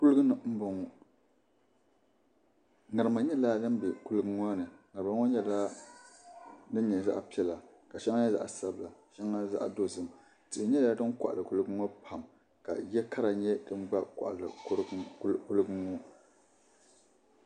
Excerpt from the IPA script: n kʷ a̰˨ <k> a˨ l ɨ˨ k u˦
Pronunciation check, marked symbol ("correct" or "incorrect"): incorrect